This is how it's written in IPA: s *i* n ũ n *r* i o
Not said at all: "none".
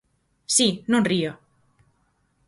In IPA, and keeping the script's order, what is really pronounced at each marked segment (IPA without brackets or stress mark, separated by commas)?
i, r